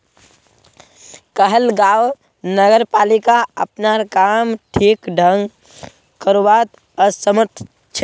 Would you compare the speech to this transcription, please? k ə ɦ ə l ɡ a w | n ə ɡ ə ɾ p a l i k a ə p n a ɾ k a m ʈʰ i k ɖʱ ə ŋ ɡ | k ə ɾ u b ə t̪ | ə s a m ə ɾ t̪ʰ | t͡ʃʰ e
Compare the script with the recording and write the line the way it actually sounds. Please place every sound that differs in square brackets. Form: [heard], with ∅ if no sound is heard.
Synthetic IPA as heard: k ə ɦ ə l ɡ a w | n ə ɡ ə ɾ p a l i k a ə p n a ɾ k a m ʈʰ i k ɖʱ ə ŋ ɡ | k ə ɾ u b [a] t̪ | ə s [ə] m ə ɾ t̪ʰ | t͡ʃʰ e